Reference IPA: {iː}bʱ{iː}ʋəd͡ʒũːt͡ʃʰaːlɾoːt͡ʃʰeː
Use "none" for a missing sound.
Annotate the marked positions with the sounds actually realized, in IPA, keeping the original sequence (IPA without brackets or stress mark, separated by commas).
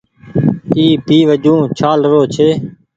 iː, iː